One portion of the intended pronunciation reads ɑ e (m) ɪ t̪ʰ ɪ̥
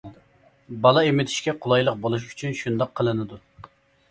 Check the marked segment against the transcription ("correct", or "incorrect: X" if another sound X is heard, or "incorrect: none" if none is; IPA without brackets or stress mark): correct